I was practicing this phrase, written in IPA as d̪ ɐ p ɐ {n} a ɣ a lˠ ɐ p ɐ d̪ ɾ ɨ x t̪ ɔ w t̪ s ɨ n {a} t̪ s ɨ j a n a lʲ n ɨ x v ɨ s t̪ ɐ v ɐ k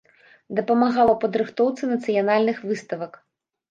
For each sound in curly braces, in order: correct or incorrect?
incorrect: m, incorrect: ɐ

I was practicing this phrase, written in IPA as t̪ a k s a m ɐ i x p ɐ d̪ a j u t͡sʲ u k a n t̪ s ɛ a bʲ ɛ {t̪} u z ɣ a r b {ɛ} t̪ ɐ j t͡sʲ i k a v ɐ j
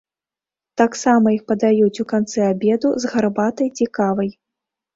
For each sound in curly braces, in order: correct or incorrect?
incorrect: d̪, incorrect: a

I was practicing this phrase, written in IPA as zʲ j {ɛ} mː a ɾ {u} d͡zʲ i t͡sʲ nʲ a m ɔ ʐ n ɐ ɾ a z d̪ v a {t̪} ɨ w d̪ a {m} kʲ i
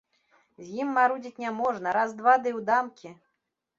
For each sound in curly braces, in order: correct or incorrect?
incorrect: i, correct, incorrect: d̪, correct

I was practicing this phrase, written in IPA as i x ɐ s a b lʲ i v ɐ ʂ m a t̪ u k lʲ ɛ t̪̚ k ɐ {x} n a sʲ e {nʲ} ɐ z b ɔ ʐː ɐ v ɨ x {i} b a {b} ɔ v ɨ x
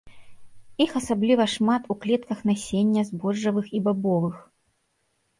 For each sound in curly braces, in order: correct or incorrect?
correct, incorrect: nʲː, correct, correct

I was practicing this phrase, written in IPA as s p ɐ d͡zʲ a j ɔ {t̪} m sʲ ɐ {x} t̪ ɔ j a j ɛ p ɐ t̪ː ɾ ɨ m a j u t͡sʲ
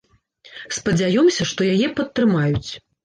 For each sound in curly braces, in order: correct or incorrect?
incorrect: none, incorrect: ʂ

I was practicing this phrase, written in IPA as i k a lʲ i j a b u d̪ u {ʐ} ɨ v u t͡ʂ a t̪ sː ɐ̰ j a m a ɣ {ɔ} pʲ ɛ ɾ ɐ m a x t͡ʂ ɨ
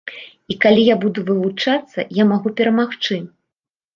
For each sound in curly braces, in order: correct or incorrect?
incorrect: v, incorrect: u

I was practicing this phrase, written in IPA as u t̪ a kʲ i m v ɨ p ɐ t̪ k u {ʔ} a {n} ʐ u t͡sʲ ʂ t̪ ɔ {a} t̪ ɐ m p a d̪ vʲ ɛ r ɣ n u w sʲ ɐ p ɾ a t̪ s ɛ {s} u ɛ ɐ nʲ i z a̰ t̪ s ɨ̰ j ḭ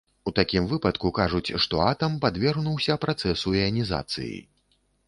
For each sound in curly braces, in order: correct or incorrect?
incorrect: k, incorrect: none, correct, correct

